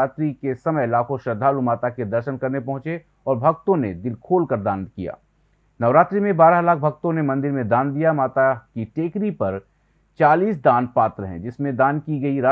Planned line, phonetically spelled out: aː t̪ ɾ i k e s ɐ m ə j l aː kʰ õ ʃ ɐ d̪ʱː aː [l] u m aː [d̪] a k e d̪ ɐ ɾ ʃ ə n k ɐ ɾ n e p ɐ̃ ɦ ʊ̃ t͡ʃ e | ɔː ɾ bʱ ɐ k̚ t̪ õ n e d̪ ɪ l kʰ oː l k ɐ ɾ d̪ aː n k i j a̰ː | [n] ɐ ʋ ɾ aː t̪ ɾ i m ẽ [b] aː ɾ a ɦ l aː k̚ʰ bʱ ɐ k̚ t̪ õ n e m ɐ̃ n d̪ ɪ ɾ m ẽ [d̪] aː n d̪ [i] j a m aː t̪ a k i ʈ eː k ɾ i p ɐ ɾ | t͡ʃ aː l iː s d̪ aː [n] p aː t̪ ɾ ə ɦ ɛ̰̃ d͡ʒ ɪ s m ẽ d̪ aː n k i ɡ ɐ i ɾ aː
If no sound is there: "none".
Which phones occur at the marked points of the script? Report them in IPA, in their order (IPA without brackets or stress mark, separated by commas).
l, t̪, n, b, d̪, i, n